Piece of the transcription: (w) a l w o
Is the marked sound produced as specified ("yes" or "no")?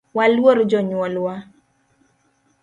yes